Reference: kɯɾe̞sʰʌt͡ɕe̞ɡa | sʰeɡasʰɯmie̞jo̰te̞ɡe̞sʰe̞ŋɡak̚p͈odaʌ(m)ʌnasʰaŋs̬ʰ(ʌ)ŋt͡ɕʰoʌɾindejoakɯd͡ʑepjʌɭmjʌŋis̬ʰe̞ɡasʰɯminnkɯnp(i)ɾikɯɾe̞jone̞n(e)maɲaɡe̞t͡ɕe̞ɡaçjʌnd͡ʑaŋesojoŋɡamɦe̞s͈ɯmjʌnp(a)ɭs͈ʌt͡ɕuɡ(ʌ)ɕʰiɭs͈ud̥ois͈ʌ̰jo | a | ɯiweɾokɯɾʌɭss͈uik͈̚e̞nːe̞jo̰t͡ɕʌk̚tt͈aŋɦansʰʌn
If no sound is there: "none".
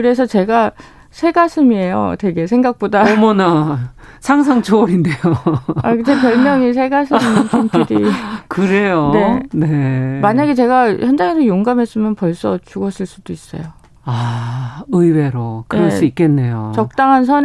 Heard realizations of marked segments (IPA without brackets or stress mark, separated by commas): m, a, i, e, ʌ, ʌ